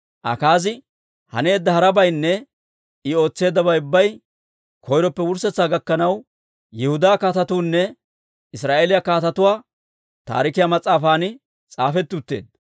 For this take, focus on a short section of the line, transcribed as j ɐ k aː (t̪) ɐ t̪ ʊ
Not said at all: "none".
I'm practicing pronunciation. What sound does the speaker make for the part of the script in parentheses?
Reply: t̪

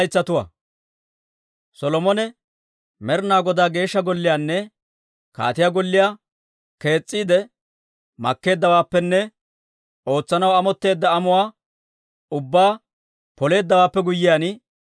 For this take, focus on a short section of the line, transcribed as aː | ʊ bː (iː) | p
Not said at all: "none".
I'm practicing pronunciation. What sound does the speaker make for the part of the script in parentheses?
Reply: aː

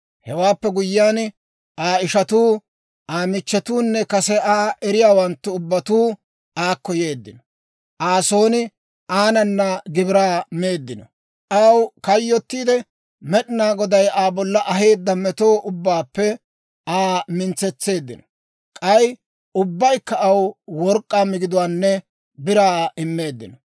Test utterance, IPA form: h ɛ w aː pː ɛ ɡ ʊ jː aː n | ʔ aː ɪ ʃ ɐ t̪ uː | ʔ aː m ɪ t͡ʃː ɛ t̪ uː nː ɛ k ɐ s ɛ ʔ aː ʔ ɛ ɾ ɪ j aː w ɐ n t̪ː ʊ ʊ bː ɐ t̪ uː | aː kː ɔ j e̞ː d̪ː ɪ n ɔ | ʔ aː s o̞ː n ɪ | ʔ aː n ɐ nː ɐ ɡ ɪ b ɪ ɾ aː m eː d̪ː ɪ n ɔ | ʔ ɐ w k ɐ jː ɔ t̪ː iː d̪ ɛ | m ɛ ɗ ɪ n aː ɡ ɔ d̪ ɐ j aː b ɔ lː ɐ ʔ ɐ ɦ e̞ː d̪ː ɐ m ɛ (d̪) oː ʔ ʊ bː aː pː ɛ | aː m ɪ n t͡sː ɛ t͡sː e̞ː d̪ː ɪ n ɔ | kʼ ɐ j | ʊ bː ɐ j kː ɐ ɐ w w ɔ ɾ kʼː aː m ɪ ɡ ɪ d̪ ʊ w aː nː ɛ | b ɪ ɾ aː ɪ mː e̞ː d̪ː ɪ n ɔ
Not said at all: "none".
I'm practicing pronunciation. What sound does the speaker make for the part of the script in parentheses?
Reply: t̪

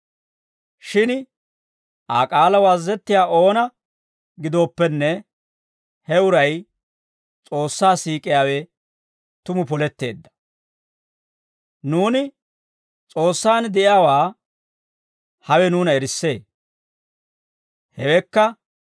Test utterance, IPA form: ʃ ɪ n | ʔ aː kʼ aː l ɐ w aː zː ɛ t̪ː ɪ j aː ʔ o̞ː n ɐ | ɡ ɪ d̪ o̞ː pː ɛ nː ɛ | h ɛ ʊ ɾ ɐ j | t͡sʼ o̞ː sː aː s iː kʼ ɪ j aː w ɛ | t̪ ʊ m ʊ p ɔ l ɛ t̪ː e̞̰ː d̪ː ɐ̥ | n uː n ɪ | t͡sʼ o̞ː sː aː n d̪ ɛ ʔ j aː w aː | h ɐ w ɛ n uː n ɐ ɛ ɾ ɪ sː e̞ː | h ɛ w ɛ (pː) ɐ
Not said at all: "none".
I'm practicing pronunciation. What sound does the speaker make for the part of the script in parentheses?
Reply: kː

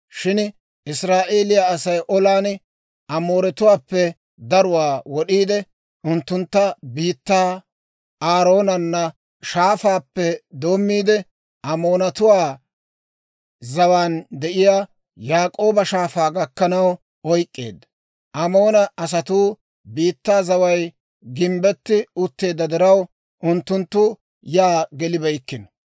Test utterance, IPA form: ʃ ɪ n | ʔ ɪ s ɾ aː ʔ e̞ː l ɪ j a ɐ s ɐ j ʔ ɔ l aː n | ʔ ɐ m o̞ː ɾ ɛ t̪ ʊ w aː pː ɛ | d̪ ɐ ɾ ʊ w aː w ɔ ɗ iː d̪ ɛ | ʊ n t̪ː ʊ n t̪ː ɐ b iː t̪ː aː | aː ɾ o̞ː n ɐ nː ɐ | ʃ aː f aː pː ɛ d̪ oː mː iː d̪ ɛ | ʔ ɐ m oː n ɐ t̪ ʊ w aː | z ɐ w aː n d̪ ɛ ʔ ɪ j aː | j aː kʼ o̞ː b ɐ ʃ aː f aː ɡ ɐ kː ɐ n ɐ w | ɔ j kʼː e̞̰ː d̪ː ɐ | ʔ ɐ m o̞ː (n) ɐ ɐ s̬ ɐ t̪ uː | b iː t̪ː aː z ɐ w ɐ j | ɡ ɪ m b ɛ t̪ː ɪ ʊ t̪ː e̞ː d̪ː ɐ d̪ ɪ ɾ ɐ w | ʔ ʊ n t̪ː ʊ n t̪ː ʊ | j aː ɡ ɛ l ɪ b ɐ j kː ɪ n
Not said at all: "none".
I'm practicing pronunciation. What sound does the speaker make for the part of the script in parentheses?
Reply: n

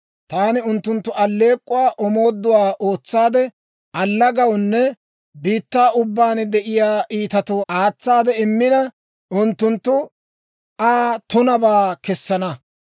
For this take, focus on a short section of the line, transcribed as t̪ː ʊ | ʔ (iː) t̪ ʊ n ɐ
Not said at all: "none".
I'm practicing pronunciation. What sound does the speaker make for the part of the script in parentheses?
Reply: aː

